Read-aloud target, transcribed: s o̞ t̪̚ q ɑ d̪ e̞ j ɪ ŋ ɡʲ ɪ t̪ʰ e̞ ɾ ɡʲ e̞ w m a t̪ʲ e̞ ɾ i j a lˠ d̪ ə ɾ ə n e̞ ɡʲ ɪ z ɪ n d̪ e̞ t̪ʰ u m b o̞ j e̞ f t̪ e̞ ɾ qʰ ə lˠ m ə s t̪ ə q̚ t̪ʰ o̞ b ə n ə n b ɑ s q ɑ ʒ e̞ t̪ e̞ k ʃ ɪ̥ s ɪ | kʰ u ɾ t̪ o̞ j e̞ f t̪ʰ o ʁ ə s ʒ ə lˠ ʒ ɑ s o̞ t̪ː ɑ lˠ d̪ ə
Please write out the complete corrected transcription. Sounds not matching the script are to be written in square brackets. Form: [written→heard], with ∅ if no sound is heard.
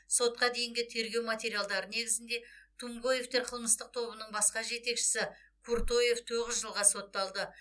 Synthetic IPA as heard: s o̞ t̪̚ q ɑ d̪ e̞ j ɪ ŋ ɡʲ ɪ t̪ʰ e̞ ɾ ɡʲ e̞ w m a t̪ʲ e̞ ɾ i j a lˠ d̪ [ə→ɑ] ɾ ə n e̞ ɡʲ ɪ z ɪ n d̪ e̞ t̪ʰ u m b o̞ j e̞ f t̪ e̞ ɾ qʰ ə lˠ m ə s t̪ ə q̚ t̪ʰ o̞ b ə n ə [n→ɴ] b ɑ s q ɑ ʒ e̞ t̪ e̞ k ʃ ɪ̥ s ɪ | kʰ u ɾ t̪ o̞ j e̞ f t̪ʰ o ʁ ə [s→z] ʒ ə lˠ [ʒ→ʁ] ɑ s o̞ t̪ː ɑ lˠ d̪ ə